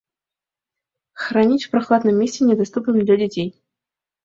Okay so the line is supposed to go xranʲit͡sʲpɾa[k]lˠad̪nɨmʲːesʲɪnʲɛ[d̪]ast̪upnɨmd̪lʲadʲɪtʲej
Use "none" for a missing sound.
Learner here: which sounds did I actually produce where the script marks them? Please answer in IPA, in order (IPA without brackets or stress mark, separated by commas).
x, d̪